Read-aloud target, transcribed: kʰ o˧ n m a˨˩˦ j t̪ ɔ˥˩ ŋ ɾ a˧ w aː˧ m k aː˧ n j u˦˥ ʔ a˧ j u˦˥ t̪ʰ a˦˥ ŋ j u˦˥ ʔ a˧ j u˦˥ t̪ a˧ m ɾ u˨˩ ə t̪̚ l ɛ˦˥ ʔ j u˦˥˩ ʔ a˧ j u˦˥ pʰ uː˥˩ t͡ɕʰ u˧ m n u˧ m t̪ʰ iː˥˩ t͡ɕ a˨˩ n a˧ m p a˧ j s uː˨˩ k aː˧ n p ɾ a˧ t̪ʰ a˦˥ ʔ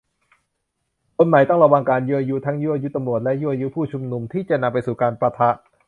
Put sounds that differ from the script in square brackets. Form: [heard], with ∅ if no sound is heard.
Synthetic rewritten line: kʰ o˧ n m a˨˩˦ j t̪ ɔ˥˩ ŋ ɾ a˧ w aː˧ [ŋ] k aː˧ n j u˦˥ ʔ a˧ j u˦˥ t̪ʰ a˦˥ ŋ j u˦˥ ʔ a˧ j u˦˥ t̪ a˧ m ɾ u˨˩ ə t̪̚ l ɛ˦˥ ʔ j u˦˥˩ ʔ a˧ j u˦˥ pʰ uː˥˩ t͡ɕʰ u˧ m n u˧ m t̪ʰ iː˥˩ t͡ɕ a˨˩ n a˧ m p a˧ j s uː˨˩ k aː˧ n p ɾ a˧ t̪ʰ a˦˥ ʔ